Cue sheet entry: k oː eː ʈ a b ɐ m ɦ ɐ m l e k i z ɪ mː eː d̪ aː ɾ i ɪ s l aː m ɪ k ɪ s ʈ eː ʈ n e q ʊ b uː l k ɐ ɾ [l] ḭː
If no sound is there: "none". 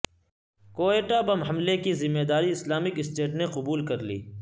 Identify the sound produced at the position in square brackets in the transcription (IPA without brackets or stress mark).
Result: l